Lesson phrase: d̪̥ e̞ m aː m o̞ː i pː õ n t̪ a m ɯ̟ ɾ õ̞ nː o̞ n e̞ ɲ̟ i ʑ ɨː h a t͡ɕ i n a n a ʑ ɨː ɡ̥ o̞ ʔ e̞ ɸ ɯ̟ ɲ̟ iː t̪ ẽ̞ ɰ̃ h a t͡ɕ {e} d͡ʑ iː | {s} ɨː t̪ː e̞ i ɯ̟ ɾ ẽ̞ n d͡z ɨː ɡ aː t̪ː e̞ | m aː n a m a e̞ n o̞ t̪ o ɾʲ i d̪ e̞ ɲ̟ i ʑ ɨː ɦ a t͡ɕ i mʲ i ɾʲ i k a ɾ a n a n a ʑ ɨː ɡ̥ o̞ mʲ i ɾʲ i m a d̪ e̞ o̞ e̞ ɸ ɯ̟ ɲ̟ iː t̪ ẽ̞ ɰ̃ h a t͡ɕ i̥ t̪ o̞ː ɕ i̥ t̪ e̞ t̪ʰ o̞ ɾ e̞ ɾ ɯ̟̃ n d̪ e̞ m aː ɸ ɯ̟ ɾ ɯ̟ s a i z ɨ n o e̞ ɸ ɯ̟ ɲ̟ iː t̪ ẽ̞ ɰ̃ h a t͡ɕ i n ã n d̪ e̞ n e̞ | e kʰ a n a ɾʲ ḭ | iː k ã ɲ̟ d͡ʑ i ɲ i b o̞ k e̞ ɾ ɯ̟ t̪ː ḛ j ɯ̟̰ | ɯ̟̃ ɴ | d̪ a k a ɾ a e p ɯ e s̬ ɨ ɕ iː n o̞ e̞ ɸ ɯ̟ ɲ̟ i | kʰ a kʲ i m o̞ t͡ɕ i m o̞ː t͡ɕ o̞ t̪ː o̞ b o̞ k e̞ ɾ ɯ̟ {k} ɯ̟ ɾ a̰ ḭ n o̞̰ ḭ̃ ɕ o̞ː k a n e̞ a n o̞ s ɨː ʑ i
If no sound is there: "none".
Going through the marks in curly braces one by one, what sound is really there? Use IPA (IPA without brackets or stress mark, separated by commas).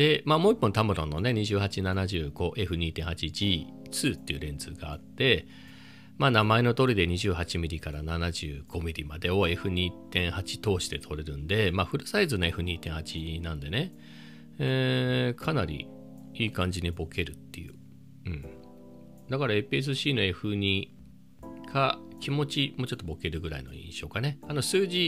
i, t͡s, ɡ